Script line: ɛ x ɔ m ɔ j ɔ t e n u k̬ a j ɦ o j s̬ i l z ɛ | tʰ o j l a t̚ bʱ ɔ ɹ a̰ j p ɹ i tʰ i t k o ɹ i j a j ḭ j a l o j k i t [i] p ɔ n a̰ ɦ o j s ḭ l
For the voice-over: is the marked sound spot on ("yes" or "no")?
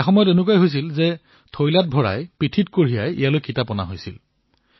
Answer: no